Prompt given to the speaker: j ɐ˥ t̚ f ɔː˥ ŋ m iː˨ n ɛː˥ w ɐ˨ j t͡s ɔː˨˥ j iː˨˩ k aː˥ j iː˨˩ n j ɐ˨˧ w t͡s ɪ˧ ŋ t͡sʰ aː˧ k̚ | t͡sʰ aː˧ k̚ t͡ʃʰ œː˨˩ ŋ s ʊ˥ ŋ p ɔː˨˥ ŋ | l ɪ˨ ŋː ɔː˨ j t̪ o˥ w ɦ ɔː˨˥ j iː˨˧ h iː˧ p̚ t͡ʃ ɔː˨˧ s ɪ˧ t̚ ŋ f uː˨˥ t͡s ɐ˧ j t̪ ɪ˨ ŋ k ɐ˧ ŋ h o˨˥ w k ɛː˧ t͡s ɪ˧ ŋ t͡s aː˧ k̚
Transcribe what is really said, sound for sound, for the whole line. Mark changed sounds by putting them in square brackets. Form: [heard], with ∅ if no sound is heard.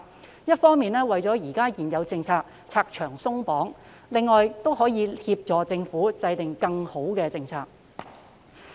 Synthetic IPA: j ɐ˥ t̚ f ɔː˥ ŋ m iː˨ n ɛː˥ w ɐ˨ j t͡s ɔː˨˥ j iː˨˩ k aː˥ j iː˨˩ n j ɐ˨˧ w t͡s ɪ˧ ŋ t͡sʰ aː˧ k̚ | t͡sʰ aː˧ k̚ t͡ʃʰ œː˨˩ ŋ s ʊ˥ ŋ p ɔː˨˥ ŋ | l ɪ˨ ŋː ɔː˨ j t̪ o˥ w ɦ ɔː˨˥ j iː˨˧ h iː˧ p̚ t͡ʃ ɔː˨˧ [t͡s] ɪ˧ [∅] ŋ f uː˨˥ t͡s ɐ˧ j t̪ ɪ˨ ŋ k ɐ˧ ŋ h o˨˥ w k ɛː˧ t͡s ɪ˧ ŋ [t͡sʰ] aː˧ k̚